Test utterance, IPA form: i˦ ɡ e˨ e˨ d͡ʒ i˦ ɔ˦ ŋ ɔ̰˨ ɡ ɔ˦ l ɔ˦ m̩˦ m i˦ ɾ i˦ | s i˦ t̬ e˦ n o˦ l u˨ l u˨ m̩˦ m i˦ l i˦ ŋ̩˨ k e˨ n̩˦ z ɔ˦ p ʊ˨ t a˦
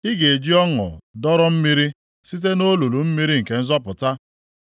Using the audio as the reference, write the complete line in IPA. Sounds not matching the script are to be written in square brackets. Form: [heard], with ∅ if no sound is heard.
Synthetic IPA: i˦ ɡ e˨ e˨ d͡ʒ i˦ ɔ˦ ŋ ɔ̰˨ [d] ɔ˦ [ɾ] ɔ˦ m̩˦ m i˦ ɾ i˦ | s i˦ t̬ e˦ n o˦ l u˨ l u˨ m̩˦ m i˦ [ɾ] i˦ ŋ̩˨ k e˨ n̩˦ z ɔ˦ p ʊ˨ t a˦